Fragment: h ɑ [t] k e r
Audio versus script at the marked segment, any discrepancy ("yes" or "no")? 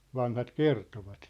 no